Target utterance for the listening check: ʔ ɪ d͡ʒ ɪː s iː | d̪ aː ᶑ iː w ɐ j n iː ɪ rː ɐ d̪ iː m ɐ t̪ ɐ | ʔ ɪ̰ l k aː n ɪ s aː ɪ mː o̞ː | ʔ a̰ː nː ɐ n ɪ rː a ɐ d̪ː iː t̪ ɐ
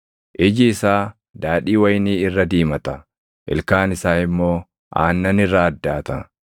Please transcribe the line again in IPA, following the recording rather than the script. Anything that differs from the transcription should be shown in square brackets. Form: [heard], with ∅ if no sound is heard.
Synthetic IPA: ʔ ɪ d͡ʒ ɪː s [aː] | d̪ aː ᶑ iː w ɐ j n iː ɪ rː ɐ d̪ iː m ɐ t̪ ɐ | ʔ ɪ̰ l k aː n ɪ s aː ɪ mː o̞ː | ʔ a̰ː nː ɐ n ɪ rː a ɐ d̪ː [aː] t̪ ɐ

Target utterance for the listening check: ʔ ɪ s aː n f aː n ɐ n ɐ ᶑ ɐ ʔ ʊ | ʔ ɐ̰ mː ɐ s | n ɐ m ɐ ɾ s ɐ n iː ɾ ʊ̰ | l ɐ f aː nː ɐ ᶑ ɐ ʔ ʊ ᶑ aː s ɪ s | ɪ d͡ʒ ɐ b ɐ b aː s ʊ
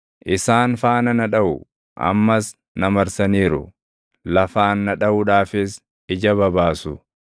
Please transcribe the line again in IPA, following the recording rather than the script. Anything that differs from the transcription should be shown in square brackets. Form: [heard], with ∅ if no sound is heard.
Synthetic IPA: ʔ ɪ s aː n f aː n ɐ n ɐ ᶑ ɐ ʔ ʊ | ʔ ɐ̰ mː ɐ s | n ɐ m ɐ ɾ s ɐ n iː ɾ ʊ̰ | l ɐ f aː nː ɐ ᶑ ɐ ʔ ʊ ᶑ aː [f] ɪ s | ɪ d͡ʒ ɐ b ɐ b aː s ʊ

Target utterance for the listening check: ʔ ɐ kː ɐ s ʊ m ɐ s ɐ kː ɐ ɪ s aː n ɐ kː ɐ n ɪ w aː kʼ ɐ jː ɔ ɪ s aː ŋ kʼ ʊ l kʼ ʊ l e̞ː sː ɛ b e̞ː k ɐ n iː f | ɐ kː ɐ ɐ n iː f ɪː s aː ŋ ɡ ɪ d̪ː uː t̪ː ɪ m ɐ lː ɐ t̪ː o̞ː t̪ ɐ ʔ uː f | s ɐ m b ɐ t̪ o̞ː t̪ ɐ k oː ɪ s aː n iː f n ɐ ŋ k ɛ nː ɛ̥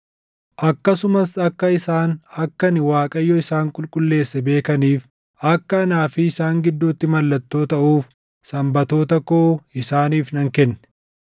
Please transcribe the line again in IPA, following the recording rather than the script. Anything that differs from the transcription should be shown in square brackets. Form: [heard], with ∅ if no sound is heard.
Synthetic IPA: ʔ ɐ kː ɐ s ʊ m ɐ s ɐ kː ɐ ɪ s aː n ɐ kː ɐ n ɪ w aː kʼ ɐ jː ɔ ɪ s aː ŋ kʼ ʊ l kʼ ʊ [lː] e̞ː sː ɛ b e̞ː k ɐ n iː f | ɐ kː ɐ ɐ n [aː] f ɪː s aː ŋ ɡ ɪ d̪ː uː t̪ː ɪ m ɐ lː ɐ t̪ː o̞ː t̪ ɐ ʔ uː f | s ɐ m b ɐ t̪ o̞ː t̪ ɐ k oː ɪ s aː n iː f n ɐ ŋ k ɛ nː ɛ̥

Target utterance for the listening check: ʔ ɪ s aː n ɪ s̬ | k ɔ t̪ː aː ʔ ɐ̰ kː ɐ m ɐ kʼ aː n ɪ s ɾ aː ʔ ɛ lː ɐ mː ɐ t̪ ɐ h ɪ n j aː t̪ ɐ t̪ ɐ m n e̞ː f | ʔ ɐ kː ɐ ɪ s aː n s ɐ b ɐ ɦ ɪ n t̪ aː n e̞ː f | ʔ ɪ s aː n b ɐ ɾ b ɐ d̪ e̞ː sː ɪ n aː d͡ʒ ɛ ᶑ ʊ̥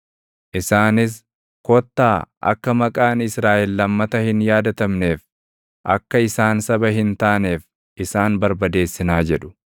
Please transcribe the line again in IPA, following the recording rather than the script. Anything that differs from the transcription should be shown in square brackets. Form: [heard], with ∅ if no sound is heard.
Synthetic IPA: ʔ ɪ s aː n ɪ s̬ | k ɔ t̪ː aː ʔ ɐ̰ kː ɐ m ɐ kʼ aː n ɪ s ɾ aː ʔ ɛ lː ɐ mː ɐ t̪ ɐ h ɪ n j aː [d̪] ɐ t̪ ɐ m n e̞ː f | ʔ ɐ kː ɐ ɪ s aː n s ɐ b ɐ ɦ ɪ n t̪ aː n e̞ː f | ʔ ɪ s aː n b ɐ ɾ b ɐ d̪ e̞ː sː ɪ n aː d͡ʒ ɛ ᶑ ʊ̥

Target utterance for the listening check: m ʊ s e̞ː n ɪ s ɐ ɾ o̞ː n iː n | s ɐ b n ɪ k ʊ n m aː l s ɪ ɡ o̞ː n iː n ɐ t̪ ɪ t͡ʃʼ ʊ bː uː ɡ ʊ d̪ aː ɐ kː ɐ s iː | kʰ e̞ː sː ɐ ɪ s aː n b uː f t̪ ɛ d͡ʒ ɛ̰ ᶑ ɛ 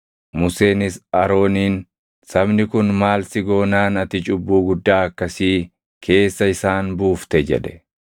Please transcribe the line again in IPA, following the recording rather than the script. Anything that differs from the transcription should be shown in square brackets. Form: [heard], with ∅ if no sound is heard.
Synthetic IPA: m ʊ s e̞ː n ɪ s ɐ ɾ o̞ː n iː n | s ɐ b n ɪ k ʊ n m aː l s ɪ ɡ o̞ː n [aː] n ɐ t̪ ɪ t͡ʃʼ ʊ bː uː ɡ ʊ [d̪ː] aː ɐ kː ɐ s iː | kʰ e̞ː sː ɐ ɪ s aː n b uː f t̪ ɛ d͡ʒ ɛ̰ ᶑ ɛ

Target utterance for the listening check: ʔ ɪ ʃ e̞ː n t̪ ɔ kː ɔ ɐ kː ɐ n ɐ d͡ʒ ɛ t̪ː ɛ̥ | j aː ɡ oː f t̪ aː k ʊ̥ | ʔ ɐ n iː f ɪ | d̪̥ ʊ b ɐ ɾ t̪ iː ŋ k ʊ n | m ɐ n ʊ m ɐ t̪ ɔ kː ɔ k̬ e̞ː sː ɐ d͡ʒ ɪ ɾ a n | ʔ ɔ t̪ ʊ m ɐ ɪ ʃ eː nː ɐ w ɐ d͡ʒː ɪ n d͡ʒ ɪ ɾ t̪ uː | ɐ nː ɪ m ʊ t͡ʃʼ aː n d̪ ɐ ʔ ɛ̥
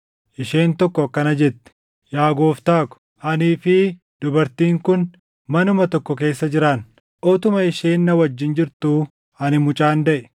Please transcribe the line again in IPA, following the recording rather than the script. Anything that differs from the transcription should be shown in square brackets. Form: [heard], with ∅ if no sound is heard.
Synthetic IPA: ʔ ɪ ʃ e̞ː n t̪ ɔ kː ɔ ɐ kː ɐ n ɐ d͡ʒ ɛ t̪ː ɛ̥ | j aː ɡ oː f t̪ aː k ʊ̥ | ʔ ɐ n iː f ɪ | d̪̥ ʊ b ɐ ɾ t̪ iː ŋ k ʊ n | m ɐ n ʊ m ɐ t̪ ɔ kː ɔ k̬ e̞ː sː ɐ d͡ʒ ɪ ɾ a n | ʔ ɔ t̪ ʊ m ɐ ɪ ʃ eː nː ɐ w ɐ d͡ʒː ɪ n d͡ʒ ɪ ɾ t̪ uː | ɐ [n] ɪ m ʊ t͡ʃʼ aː n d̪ ɐ ʔ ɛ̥

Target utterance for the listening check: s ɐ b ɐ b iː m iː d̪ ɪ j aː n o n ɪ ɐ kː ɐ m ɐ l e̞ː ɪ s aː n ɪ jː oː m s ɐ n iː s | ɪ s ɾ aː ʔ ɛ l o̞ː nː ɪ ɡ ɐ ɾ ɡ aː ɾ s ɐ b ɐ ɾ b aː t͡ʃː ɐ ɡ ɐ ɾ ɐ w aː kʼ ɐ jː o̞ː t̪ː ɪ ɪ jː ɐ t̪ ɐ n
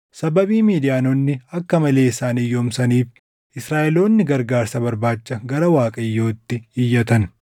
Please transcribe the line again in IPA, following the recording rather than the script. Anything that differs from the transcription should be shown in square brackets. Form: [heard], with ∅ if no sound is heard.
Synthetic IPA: s ɐ b ɐ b iː m iː d̪ ɪ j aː n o [nː] ɪ ɐ kː ɐ m ɐ l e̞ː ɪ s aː n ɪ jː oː m s ɐ n iː [f] | ɪ s ɾ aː ʔ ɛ l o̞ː nː ɪ ɡ ɐ ɾ ɡ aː ɾ s ɐ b ɐ ɾ b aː t͡ʃː ɐ ɡ ɐ ɾ ɐ w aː kʼ ɐ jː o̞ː t̪ː ɪ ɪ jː ɐ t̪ ɐ n

